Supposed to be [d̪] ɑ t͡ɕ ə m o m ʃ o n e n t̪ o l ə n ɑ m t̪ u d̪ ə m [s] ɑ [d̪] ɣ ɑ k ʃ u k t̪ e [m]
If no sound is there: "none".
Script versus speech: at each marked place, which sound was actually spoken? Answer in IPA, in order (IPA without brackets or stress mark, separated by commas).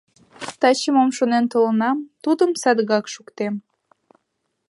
t̪, s, d̪, m